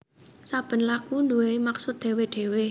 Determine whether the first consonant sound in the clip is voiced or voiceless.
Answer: voiceless